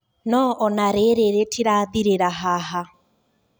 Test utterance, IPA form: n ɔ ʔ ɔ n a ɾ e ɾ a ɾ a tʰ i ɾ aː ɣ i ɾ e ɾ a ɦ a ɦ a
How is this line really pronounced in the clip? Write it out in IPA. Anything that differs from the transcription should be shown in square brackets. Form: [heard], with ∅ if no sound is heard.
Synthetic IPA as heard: n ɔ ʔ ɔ n a ɾ e ɾ [e] ɾ [e] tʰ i ɾ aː [ð] i ɾ e ɾ a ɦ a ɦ a